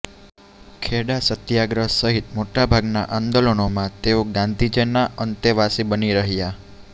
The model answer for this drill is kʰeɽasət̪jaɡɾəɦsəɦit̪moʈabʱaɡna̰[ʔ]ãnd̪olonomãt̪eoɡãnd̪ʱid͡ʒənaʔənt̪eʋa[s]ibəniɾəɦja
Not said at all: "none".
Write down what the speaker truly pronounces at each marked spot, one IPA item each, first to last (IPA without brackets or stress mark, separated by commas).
ʔ, s